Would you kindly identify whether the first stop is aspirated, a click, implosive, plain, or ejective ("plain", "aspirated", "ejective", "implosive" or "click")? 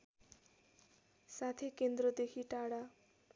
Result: aspirated